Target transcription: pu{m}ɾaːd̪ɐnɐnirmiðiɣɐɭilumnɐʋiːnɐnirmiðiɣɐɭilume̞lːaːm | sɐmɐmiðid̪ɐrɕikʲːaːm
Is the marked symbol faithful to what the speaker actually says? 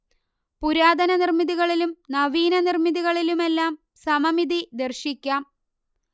no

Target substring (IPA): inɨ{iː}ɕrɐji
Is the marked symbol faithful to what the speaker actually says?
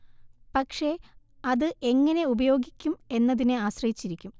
no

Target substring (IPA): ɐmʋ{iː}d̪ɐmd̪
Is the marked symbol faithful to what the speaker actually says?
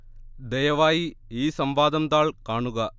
no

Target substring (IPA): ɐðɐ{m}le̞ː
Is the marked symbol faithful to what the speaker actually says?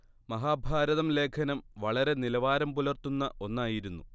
yes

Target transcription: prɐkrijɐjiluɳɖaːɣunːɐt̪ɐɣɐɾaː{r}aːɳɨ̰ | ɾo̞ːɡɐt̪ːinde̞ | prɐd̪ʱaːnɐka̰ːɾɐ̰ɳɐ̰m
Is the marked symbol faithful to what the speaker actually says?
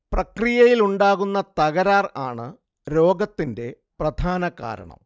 yes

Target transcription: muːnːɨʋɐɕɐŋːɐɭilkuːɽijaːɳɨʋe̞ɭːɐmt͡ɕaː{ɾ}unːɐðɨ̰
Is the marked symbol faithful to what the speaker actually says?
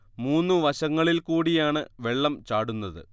no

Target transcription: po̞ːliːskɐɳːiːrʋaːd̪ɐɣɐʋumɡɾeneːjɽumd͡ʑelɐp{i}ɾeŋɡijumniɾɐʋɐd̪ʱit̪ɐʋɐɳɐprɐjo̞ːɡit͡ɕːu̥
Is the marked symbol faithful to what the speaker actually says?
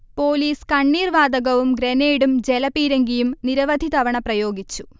no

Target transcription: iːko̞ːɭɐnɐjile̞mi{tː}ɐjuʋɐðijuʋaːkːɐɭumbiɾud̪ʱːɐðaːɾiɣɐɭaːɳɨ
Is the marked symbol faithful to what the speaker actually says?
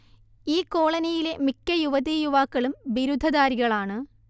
no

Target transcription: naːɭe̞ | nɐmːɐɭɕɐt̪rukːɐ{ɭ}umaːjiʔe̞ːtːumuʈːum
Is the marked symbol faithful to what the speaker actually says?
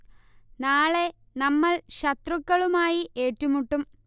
yes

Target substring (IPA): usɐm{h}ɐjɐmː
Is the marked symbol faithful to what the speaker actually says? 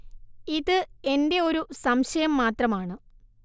no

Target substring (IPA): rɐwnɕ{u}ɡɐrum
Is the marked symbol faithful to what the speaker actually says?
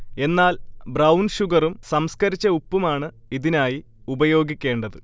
yes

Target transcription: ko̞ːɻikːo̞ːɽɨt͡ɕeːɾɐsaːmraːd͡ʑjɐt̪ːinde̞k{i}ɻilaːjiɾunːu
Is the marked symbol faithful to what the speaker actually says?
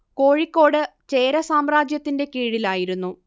no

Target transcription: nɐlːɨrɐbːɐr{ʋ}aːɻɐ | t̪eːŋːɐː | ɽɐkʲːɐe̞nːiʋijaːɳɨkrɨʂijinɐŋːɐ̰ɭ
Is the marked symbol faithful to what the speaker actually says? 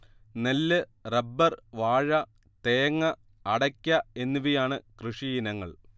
yes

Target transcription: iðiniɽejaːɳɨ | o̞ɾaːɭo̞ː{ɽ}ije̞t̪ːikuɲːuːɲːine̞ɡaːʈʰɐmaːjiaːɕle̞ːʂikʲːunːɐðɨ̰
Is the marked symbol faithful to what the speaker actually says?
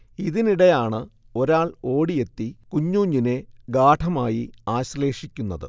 yes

